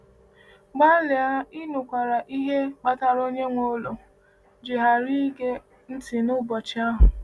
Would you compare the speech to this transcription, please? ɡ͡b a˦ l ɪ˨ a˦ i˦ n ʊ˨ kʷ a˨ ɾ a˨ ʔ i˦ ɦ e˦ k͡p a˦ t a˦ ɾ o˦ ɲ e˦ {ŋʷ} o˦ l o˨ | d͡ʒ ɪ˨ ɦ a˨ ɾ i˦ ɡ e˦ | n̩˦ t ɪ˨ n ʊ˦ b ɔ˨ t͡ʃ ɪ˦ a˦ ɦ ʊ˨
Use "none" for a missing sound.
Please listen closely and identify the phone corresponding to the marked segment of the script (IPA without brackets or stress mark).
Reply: ŋʷ